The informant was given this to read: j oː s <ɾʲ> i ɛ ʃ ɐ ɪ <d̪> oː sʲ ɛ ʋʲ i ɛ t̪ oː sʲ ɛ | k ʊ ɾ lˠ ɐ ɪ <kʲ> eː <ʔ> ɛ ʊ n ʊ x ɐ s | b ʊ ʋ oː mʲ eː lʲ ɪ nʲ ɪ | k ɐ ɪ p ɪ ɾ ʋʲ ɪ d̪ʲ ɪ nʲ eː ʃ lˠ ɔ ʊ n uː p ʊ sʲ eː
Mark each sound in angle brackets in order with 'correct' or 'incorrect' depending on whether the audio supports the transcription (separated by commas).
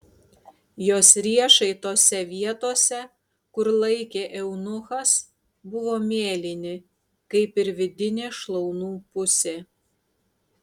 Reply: correct, incorrect, correct, correct